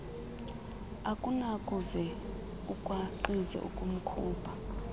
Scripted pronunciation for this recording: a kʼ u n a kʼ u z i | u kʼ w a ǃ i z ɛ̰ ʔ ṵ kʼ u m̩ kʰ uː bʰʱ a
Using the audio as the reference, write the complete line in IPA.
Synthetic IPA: a kʼ u n a kʼ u z ɛ | u kʼ w a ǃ i z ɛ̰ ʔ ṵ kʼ u m̩ kʰ uː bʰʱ a

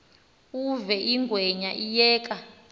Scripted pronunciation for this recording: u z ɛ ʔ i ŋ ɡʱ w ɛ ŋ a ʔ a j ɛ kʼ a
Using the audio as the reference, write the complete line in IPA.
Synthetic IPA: u v ɛ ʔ i ŋ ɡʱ w ɛ ɲ a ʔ i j ɛː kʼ a

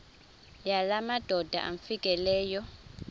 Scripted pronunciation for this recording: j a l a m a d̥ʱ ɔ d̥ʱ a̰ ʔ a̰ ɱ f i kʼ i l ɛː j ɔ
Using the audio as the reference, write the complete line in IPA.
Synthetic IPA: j a l a m a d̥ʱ ɔ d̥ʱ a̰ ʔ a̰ ɱ f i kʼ ɛ l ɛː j ɔ

